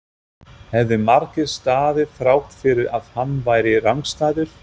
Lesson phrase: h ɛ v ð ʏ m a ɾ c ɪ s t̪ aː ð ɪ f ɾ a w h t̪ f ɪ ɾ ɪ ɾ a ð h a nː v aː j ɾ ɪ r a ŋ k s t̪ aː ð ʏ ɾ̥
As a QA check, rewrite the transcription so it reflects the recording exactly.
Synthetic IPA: h ɛ v ð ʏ m a ɾ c ɪ s t̪ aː ð ɪ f ɾ a w h t̪ f ɪ ɾ ɪ ɾ a ð h a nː v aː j ɾ ɪ r a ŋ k s t̪ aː ð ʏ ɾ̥